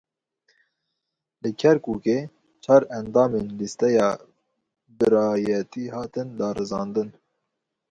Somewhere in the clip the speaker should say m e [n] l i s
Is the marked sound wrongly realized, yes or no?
no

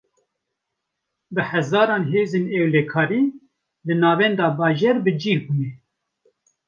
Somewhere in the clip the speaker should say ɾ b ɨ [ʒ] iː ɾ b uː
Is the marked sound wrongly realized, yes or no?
yes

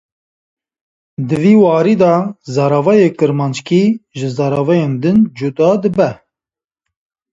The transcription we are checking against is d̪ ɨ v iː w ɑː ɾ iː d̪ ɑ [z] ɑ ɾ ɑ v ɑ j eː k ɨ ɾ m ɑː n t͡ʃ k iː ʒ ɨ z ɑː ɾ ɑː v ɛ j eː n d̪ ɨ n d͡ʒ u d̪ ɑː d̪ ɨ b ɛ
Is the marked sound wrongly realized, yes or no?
no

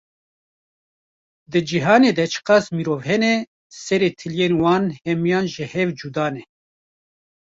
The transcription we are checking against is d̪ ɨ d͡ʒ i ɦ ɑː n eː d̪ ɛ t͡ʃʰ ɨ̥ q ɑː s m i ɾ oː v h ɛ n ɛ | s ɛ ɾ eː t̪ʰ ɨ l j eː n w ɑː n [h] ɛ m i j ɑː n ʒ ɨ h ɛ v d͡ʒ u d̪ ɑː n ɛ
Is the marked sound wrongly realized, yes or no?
no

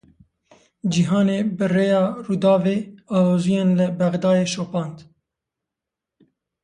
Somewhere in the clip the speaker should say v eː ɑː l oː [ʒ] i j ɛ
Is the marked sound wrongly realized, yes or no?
yes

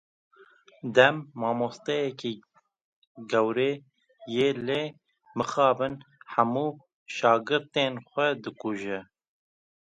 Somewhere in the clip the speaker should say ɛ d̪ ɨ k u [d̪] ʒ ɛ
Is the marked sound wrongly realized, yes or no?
yes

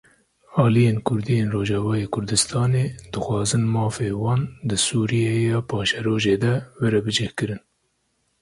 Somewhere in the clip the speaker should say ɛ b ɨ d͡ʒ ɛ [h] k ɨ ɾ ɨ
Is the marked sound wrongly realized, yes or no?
no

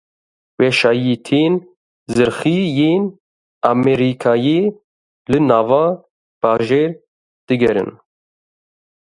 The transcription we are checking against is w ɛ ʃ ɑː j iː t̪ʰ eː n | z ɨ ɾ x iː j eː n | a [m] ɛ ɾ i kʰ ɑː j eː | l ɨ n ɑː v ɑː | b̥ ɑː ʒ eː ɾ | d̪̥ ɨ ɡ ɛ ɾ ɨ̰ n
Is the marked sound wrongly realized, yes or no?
no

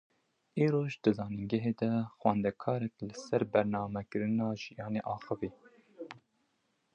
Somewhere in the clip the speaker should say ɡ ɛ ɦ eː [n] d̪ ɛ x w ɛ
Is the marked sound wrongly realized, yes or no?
yes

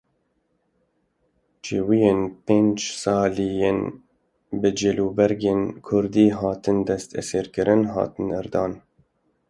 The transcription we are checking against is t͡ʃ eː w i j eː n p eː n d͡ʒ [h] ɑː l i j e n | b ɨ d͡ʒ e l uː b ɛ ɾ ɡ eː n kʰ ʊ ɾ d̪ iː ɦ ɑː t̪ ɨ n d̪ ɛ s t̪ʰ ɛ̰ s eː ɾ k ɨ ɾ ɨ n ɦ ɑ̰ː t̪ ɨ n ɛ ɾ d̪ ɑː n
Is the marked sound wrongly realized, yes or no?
yes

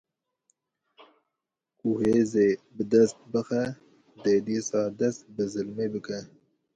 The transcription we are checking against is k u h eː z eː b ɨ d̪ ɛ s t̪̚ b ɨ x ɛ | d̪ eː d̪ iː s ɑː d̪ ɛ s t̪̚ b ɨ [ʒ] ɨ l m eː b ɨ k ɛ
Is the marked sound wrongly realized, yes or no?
yes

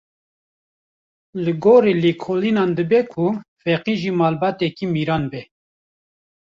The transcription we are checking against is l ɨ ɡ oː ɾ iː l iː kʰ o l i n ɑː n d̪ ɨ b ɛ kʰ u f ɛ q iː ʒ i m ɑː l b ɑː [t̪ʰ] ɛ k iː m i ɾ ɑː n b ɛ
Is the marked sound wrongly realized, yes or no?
yes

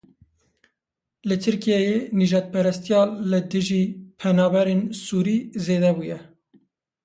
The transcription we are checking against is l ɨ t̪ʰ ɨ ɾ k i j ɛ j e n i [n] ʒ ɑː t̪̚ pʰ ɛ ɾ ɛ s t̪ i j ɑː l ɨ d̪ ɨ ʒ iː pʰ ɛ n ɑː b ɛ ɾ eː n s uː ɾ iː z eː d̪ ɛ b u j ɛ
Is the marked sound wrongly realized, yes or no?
yes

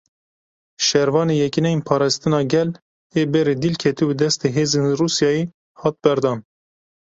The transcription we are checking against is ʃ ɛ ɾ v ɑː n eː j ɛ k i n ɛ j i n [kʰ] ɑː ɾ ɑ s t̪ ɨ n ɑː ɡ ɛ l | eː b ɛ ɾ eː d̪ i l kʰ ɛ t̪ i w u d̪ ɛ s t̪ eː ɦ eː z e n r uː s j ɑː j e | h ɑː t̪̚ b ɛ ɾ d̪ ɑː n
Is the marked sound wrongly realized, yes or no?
yes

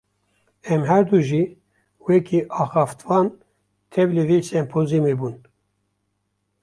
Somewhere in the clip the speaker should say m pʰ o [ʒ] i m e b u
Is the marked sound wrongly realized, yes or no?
yes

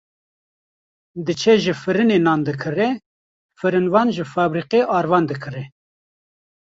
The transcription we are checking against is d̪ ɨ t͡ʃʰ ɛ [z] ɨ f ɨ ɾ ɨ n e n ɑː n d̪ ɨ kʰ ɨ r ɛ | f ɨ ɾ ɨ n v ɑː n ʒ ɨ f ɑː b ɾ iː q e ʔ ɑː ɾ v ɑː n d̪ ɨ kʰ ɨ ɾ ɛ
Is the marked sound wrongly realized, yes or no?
yes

